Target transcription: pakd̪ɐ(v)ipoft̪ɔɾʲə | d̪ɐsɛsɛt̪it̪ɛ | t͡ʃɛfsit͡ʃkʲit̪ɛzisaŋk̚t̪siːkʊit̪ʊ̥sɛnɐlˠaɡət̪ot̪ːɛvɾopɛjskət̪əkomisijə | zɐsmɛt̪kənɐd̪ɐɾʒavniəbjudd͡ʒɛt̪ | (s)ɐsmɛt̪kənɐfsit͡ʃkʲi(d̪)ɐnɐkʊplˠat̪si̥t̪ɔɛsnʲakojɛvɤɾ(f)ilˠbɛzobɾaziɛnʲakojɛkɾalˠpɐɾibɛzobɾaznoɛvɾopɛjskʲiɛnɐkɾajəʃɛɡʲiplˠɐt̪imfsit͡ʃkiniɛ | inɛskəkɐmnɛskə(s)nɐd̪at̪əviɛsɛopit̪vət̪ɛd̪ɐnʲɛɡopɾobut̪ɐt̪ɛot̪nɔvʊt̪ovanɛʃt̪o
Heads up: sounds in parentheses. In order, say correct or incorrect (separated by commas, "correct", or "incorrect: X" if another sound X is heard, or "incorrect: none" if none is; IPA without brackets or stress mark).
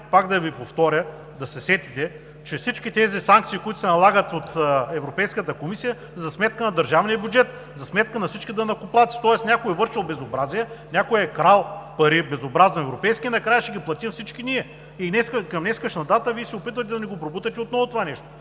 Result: correct, incorrect: z, correct, incorrect: ʃ, incorrect: ʃ